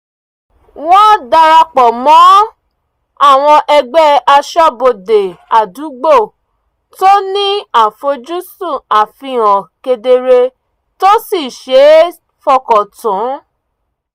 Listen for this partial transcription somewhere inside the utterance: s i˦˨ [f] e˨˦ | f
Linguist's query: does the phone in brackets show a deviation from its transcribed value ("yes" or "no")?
yes